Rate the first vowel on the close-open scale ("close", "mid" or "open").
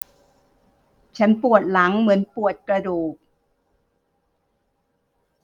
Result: open